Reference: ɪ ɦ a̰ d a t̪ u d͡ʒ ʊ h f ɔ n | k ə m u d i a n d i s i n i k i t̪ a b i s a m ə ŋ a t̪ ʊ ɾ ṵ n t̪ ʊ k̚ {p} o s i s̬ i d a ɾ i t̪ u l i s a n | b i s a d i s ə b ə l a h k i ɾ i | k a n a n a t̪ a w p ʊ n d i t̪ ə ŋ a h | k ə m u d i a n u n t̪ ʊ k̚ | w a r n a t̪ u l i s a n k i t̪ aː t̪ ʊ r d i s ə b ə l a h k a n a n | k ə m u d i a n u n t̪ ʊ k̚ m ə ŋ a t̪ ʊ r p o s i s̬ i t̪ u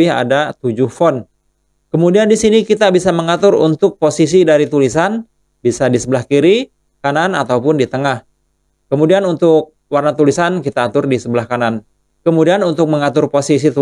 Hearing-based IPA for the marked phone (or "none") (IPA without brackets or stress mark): p